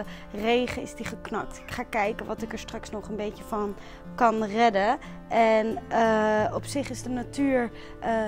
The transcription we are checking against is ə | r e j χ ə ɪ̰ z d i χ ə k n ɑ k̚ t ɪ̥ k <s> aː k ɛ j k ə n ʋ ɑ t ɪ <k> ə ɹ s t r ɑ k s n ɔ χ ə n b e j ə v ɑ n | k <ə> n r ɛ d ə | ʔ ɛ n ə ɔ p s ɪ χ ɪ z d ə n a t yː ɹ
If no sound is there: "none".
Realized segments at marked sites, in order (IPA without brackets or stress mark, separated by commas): χ, k, ɑ